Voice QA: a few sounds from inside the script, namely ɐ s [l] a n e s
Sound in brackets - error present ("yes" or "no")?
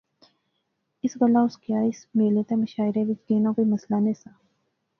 no